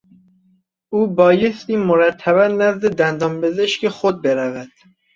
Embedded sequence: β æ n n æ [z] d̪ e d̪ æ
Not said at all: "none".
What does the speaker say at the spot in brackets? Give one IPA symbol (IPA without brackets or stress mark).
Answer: z